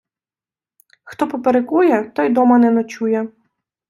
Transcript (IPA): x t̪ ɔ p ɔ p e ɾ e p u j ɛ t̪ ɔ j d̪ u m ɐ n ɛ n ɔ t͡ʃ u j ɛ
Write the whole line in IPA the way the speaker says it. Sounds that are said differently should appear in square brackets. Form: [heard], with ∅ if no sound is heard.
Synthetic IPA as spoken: x t̪ ɔ p ɔ p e ɾ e [k] u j ɛ t̪ ɔ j d̪ [ɔ] m ɐ n ɛ n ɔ t͡ʃ u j ɛ